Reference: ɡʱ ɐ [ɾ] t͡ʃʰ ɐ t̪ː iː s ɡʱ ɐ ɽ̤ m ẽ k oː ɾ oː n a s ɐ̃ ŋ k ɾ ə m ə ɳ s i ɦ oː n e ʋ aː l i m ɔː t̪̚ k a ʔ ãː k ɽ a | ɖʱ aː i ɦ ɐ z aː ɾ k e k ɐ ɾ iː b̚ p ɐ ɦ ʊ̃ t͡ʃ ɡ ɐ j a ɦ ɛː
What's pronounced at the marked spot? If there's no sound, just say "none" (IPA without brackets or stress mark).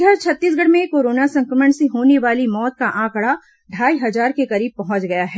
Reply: ɾ